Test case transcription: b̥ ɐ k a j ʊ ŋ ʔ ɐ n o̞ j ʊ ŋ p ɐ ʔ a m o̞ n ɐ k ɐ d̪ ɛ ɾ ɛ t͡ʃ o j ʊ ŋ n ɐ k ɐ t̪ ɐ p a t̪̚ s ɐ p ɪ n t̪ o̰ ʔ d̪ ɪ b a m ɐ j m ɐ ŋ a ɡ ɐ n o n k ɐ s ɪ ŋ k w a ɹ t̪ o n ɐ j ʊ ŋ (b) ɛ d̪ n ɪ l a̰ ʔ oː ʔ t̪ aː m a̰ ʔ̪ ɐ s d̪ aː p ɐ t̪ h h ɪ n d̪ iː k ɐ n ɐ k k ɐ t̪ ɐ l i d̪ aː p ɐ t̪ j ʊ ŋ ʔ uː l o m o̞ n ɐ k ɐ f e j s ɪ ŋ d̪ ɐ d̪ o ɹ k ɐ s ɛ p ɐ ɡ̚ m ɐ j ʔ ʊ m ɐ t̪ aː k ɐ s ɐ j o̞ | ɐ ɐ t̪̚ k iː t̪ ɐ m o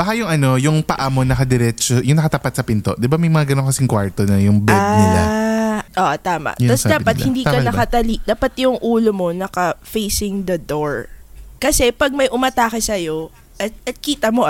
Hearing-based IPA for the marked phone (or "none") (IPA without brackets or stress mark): b